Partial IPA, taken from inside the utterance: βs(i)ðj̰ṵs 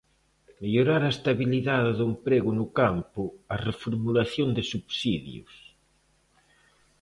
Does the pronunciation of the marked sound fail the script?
no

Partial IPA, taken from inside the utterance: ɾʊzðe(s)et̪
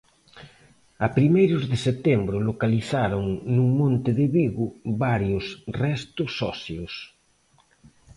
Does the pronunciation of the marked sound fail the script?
no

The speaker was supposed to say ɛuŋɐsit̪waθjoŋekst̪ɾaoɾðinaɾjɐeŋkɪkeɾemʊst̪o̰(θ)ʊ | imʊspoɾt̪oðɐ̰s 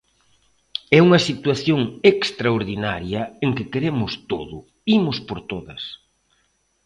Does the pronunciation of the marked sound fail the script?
yes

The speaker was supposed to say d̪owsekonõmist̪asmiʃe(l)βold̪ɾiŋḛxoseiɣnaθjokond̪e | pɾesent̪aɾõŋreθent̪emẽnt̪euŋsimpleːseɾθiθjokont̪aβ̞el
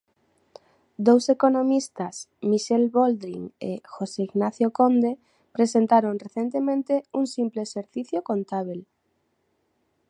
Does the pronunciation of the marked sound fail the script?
no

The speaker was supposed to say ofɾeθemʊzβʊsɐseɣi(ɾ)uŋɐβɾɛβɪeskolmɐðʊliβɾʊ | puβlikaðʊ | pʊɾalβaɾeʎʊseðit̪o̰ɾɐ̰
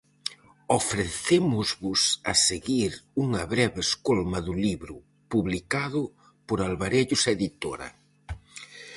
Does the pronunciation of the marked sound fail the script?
no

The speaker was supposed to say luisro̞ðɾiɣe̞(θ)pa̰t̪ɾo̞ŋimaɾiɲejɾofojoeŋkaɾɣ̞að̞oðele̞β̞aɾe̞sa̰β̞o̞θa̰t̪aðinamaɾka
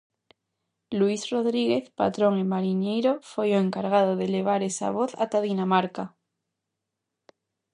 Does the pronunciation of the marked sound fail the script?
no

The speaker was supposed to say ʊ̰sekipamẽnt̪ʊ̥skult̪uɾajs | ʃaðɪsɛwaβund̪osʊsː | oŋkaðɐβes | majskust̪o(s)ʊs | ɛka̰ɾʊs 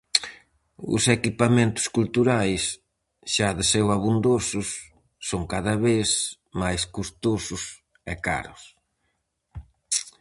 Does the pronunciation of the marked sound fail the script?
no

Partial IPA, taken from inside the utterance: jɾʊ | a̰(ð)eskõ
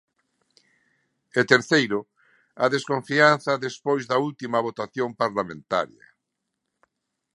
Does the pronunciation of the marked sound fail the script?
no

